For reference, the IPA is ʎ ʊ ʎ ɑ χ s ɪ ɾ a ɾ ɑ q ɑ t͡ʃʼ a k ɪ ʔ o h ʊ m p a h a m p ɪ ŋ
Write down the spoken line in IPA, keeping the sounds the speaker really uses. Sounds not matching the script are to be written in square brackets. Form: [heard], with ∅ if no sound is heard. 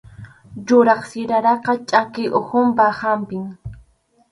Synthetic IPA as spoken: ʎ ʊ [ɾ] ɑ χ s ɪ ɾ a ɾ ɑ q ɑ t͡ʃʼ a k ɪ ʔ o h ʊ m p a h a m p ɪ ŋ